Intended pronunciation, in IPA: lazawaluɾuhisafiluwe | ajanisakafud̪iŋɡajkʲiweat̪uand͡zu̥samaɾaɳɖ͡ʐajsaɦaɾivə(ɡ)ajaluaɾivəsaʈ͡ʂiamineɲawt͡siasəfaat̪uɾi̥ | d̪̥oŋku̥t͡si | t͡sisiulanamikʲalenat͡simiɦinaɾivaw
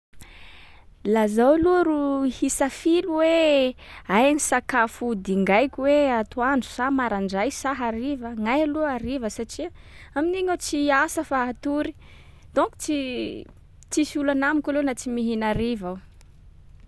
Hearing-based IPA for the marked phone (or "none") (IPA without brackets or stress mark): ŋ